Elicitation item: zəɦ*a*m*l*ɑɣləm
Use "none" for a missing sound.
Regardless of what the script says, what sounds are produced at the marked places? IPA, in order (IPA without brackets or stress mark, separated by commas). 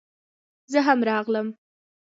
a, ɾ